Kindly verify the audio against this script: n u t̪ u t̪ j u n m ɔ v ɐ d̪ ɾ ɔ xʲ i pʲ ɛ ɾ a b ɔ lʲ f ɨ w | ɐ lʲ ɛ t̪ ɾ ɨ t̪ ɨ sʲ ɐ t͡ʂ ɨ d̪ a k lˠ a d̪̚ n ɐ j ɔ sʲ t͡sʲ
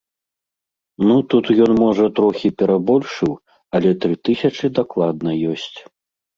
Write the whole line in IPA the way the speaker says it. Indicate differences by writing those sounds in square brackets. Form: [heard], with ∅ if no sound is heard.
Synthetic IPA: n u t̪ u t̪ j [ɔ] n m ɔ [ʐ] ɐ [t̪] ɾ ɔ xʲ i pʲ ɛ ɾ a b ɔ lʲ [ʂ] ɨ w | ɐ lʲ ɛ t̪ ɾ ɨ t̪ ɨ sʲ ɐ t͡ʂ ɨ d̪ a k lˠ a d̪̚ n ɐ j ɔ sʲ t͡sʲ